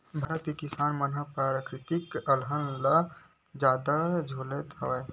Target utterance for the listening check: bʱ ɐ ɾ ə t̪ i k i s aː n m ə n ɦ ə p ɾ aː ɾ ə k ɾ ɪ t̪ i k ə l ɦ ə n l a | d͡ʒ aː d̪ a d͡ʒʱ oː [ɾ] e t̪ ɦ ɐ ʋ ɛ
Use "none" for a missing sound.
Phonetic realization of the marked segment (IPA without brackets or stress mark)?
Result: l